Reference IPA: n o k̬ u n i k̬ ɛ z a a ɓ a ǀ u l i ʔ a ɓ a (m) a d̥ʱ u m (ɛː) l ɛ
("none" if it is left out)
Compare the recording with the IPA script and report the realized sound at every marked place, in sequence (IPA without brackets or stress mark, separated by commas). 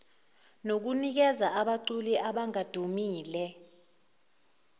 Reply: ŋ, iː